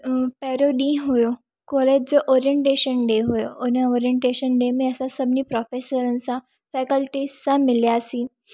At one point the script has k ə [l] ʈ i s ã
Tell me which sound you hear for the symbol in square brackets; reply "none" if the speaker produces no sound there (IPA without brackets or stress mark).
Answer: l